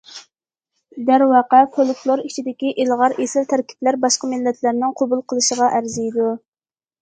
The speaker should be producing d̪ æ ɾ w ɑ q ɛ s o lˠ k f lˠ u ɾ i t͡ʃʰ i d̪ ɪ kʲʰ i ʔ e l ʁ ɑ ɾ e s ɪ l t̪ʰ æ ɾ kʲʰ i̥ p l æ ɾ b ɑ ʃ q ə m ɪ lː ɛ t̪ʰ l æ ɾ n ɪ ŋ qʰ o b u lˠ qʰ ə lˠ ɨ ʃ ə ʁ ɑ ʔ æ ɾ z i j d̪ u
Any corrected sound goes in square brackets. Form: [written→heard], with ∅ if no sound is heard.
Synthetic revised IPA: d̪ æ ɾ w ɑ q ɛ [s→f] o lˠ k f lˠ [u→o] ɾ i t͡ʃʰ i d̪ ɪ [kʲʰ→kʲ] i ʔ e l ʁ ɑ ɾ e s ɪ l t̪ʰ æ ɾ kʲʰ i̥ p l æ ɾ b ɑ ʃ q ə m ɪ lː ɛ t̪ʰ l æ ɾ n ɪ ŋ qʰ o b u lˠ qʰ ə lˠ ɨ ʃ ə ʁ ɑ ʔ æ ɾ z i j d̪ u